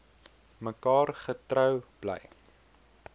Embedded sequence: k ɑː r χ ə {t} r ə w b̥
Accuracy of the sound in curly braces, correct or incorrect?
correct